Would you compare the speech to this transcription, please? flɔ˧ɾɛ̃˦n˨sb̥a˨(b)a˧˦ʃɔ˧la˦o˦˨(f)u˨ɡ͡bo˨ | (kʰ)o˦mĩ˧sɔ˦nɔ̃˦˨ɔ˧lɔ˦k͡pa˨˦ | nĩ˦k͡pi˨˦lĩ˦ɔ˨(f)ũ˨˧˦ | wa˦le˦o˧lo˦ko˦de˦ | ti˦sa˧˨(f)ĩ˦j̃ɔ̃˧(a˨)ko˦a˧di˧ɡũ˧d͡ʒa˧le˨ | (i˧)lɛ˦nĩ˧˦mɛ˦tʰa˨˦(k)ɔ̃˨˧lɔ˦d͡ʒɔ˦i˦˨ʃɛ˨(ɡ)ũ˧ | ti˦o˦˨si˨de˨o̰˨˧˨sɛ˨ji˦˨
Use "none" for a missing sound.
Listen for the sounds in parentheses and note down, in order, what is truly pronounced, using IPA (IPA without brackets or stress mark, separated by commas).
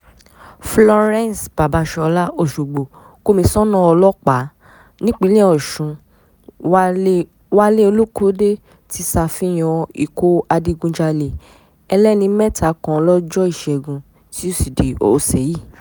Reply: b, ʃ, k, ʃ, f, i˨, ɛ˧, k, ɡ